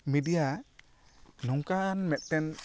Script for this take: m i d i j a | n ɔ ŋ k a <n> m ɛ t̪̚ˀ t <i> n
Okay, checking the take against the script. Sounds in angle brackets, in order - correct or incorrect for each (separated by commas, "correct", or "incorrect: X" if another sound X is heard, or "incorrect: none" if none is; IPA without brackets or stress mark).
correct, incorrect: ɛ